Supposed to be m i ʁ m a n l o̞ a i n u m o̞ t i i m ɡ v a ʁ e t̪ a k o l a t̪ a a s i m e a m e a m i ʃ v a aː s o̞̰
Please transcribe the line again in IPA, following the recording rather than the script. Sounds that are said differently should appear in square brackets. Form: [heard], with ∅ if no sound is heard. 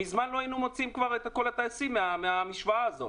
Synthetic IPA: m i [z] m a n l o̞ a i n u m o̞ [t͡s] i i m [k] v a ʁ e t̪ a k o l a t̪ a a s i m e a m e a m i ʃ v a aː [z] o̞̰